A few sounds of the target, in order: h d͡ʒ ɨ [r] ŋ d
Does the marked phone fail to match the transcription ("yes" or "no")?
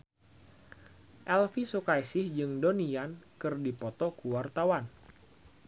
yes